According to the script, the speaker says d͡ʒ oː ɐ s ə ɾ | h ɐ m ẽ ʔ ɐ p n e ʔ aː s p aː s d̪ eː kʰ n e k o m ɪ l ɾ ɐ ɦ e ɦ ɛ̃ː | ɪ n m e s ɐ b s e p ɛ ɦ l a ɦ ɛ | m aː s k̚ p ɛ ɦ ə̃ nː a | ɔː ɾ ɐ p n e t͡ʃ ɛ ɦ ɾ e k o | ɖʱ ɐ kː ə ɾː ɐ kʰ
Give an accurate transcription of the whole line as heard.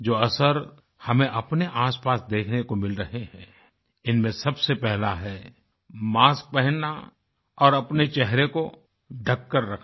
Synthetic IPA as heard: d͡ʒ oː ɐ s ə ɾ | h ɐ m ẽ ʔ ɐ p n e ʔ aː s p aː s d̪ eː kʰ n e k o m ɪ l ɾ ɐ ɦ e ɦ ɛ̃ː | ɪ n m ẽ s ɐ b s e p ɛ ɦ l a ɦ ɛ | m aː s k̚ p ɛ ɦ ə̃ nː a | ɔː ɾ ɐ p n e t͡ʃ ɛ ɦ ɾ e k o | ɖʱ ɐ kː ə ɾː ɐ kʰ